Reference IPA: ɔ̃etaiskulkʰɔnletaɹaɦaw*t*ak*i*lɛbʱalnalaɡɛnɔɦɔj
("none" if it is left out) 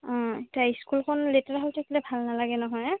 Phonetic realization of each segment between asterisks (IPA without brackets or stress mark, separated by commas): tʰ, i